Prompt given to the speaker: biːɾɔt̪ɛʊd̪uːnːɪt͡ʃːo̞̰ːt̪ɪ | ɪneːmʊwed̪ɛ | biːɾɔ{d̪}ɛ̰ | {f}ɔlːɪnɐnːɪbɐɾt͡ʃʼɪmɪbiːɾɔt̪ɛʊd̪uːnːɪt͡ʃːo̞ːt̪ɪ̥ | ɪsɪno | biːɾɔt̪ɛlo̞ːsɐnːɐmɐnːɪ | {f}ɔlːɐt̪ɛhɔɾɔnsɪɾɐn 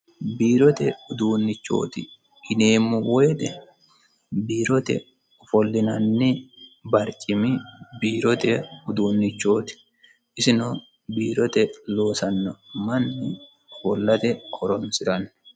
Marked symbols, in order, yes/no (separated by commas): no, yes, yes